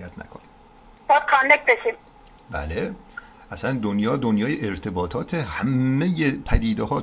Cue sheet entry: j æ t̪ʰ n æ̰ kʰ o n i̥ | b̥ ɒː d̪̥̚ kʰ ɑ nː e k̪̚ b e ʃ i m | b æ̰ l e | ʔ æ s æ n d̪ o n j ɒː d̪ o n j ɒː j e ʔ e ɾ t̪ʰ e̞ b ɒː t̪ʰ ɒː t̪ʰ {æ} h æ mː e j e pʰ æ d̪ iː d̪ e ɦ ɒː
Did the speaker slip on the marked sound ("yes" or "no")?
yes